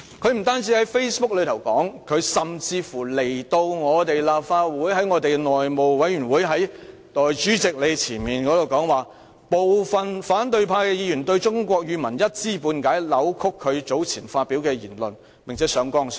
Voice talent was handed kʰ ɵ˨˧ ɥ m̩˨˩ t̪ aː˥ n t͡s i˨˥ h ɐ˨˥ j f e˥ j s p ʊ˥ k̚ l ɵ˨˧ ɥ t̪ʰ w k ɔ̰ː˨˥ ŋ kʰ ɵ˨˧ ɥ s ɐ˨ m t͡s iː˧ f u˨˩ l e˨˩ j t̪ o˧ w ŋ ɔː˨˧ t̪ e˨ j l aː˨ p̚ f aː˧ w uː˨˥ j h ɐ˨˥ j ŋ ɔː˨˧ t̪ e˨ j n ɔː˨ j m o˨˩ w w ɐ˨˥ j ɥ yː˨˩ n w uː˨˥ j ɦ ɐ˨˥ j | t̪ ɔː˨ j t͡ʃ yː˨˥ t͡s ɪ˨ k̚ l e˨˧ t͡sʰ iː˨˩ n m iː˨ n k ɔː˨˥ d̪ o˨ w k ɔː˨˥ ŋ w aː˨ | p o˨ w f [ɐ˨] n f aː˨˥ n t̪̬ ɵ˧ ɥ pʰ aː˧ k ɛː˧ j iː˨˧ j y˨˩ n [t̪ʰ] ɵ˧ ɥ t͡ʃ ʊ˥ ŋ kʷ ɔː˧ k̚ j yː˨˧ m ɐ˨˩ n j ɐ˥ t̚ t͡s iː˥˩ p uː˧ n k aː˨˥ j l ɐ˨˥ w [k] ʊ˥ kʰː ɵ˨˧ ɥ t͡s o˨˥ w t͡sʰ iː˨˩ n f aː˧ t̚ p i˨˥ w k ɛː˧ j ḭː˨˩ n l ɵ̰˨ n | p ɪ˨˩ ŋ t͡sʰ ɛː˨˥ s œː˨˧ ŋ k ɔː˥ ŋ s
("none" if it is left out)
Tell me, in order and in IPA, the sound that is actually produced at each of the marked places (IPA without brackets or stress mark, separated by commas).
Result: ɐ˨, t̪, kʰ